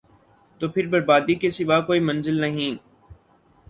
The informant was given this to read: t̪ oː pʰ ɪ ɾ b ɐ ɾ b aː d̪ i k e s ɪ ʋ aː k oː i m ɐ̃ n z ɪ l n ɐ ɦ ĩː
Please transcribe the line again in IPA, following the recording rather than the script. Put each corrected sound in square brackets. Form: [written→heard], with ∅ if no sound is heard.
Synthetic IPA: t̪ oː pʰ ɪ ɾ b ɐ ɾ b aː d̪ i k e s ɪ ʋ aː k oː i m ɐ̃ n z ɪ l n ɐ ɦ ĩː